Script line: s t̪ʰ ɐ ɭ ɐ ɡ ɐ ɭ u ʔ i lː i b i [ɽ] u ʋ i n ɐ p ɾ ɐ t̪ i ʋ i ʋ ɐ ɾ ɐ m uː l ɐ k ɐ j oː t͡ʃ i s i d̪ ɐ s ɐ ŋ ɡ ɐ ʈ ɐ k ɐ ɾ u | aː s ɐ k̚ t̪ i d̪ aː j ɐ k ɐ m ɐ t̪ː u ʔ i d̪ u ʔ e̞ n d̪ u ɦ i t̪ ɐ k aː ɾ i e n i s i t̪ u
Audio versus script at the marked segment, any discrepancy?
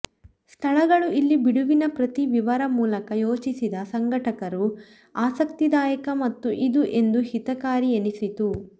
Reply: no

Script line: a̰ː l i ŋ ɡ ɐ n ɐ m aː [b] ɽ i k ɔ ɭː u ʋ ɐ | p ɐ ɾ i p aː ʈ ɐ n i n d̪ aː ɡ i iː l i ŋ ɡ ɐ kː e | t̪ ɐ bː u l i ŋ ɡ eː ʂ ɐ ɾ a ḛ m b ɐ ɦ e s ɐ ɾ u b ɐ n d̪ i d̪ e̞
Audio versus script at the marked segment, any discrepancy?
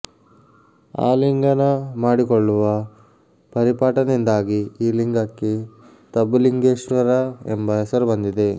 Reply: yes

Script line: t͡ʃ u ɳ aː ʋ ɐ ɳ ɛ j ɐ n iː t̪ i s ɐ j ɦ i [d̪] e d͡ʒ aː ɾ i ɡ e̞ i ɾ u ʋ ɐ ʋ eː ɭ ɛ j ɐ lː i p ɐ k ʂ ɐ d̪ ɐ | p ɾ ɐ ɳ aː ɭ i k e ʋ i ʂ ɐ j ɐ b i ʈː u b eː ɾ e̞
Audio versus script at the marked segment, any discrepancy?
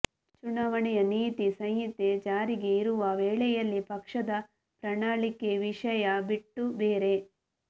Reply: yes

